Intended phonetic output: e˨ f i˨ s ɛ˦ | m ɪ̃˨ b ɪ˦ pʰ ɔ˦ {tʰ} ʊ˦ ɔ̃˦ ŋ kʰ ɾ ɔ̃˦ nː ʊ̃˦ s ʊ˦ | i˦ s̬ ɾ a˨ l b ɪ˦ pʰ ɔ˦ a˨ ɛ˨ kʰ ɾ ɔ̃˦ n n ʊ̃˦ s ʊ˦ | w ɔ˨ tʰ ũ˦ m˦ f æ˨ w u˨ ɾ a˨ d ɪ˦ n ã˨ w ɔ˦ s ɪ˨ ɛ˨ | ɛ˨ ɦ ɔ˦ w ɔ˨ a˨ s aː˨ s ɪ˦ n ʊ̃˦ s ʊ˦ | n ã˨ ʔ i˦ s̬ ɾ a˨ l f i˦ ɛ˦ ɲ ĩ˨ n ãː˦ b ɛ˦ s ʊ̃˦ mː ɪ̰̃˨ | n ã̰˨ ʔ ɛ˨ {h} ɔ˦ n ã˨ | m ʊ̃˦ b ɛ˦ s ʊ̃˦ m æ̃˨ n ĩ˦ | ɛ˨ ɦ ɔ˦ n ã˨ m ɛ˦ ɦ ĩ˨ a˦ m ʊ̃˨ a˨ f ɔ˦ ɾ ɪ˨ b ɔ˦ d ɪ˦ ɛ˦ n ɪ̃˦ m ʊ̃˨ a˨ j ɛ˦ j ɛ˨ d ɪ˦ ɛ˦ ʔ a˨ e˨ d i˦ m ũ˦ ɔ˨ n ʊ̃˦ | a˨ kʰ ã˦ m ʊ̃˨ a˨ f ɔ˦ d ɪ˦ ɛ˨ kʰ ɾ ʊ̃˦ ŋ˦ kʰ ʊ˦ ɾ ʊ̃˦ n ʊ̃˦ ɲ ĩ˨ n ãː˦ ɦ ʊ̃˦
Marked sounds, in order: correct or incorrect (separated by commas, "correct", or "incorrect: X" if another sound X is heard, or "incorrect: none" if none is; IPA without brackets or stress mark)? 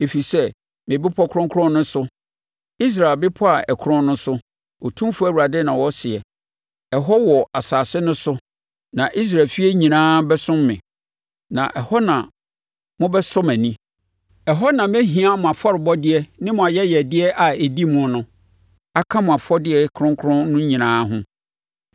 incorrect: kʰ, correct